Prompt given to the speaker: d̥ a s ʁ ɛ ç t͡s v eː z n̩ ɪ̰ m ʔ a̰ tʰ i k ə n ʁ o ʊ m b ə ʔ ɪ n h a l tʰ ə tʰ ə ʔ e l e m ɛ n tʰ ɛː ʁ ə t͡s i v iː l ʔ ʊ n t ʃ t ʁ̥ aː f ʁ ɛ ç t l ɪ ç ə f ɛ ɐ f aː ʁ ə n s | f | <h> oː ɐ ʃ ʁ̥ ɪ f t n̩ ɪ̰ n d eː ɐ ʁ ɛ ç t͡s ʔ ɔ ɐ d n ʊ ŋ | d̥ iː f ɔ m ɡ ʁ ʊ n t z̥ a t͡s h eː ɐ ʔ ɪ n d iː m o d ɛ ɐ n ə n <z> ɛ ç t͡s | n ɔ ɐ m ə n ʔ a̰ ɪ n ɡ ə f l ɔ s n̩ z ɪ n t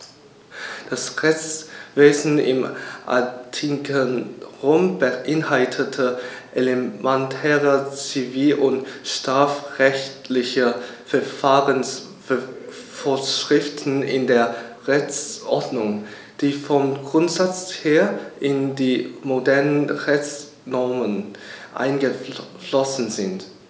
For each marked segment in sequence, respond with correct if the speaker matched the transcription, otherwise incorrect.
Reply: incorrect: f, incorrect: ʁ

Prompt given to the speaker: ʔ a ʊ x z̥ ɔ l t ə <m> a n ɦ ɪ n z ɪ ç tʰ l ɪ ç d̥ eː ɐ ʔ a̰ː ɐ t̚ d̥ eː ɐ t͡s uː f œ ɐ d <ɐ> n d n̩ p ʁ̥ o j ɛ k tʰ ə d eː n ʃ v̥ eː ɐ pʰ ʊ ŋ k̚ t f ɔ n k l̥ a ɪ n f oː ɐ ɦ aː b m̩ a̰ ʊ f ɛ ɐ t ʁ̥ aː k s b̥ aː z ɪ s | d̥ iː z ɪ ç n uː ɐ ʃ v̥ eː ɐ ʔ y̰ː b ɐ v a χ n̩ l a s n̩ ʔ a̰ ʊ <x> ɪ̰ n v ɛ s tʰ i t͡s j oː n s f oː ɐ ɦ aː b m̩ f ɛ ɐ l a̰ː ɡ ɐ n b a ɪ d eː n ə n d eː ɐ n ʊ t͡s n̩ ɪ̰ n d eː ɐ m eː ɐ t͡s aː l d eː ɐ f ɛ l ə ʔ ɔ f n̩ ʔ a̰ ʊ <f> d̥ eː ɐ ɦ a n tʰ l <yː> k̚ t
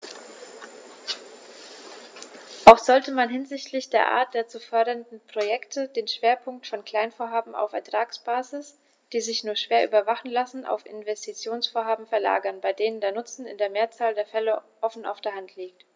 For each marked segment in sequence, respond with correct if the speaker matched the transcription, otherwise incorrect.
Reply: correct, correct, incorrect: f, correct, incorrect: iː

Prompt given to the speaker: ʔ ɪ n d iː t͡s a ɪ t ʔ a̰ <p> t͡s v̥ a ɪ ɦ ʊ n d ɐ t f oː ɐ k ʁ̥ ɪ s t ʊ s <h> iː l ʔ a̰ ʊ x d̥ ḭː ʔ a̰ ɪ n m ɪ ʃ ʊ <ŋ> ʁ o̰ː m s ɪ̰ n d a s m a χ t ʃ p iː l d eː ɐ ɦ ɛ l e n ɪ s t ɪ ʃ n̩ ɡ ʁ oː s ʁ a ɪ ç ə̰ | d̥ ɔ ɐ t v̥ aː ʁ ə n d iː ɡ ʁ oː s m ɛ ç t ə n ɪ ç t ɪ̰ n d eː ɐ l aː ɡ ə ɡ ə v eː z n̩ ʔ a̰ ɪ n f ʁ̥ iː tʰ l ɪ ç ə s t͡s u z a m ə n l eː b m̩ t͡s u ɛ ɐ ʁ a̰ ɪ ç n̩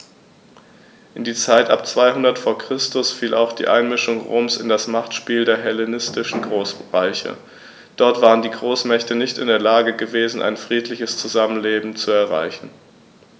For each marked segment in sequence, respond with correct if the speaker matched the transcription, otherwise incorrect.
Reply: correct, incorrect: f, correct

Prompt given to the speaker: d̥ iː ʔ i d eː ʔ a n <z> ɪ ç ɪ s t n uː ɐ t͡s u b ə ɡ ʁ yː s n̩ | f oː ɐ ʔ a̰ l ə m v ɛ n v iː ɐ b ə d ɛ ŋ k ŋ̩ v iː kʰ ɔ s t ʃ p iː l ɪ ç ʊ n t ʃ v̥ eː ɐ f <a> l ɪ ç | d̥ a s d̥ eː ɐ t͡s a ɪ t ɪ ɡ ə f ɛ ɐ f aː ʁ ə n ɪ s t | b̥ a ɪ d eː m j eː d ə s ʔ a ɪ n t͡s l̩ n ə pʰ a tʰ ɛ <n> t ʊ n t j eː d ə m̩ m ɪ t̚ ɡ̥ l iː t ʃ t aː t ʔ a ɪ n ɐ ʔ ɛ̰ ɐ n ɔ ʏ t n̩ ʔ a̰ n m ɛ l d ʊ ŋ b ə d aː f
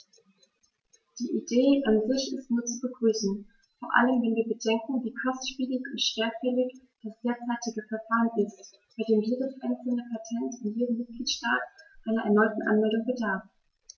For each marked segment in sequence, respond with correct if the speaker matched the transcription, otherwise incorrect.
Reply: correct, incorrect: ɛ, correct

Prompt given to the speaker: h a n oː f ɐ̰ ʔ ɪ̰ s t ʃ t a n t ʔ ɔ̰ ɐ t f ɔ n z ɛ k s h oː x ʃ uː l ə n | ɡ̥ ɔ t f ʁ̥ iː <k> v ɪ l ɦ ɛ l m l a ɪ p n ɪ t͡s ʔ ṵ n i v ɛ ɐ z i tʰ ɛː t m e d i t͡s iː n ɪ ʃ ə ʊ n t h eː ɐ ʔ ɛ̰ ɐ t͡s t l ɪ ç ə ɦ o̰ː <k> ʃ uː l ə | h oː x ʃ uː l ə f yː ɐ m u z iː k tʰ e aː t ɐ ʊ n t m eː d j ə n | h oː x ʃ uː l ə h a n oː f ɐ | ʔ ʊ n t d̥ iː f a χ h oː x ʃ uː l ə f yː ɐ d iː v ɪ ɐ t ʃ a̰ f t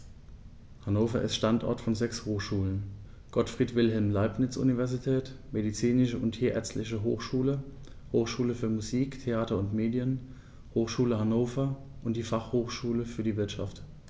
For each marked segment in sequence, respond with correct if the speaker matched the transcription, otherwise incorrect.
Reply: incorrect: t, incorrect: x

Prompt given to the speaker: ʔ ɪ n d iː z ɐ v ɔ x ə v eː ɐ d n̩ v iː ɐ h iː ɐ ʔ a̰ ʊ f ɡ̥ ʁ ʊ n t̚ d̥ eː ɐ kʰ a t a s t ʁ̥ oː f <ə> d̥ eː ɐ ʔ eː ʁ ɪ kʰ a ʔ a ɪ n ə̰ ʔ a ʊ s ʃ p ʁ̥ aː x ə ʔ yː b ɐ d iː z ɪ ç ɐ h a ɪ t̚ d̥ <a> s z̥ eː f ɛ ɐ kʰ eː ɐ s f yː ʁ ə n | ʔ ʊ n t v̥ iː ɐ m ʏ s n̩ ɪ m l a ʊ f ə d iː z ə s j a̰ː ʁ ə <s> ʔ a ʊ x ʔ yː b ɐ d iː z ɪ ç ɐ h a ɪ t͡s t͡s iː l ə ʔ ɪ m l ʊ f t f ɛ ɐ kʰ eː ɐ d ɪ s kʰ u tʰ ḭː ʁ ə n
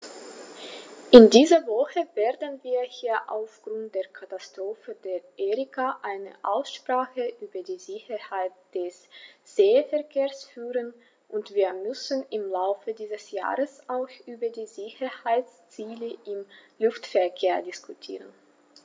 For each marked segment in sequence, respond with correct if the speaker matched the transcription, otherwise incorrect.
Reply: correct, incorrect: ɛ, correct

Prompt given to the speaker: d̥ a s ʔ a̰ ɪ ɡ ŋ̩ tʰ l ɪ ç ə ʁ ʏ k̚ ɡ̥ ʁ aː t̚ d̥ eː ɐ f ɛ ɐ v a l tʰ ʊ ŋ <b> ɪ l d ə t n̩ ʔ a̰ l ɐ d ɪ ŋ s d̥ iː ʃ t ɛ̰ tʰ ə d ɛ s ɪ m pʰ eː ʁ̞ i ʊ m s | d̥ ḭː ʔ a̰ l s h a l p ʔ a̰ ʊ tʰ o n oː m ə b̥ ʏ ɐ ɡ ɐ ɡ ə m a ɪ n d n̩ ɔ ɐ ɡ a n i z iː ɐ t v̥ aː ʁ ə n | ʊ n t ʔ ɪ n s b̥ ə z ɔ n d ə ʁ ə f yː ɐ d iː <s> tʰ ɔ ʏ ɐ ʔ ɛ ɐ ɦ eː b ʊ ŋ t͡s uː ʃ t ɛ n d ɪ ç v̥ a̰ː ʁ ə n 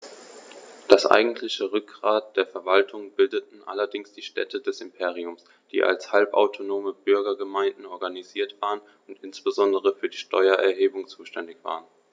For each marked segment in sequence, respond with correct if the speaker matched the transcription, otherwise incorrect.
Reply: correct, incorrect: ʃ

